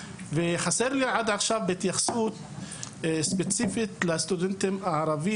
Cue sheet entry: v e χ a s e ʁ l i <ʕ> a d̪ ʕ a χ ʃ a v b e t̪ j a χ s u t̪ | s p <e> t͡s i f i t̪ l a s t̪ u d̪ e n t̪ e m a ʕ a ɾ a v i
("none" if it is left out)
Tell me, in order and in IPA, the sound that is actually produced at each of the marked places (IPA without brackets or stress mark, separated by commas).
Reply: ʕ, e